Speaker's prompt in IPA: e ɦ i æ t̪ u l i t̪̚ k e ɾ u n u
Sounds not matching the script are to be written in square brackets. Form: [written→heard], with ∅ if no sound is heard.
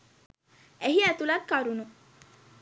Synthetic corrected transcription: e ɦ i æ t̪ u l [i→a] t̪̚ k [e→a] ɾ u n u

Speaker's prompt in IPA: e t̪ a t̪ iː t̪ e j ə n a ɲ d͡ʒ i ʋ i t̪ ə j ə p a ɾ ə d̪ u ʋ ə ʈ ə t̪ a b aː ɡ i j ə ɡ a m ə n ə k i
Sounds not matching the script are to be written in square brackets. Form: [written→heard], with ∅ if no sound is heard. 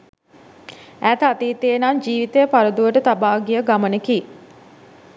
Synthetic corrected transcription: [e→æ] t̪ a t̪ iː t̪ e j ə n a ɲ d͡ʒ [i→iː] ʋ i t̪ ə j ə p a ɾ ə d̪ u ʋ ə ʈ ə t̪ a b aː ɡ i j ə ɡ a m ə n ə k i

